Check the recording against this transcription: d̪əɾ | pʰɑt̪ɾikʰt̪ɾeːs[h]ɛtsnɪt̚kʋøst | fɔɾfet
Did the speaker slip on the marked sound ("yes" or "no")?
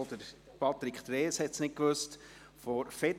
no